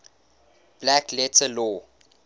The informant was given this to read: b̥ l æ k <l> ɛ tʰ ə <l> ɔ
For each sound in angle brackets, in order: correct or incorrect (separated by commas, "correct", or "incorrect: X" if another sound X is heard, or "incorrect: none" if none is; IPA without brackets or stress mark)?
correct, correct